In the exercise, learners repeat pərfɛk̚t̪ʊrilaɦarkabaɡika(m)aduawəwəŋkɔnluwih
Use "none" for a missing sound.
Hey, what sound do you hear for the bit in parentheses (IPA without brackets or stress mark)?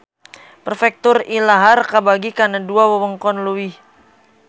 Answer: n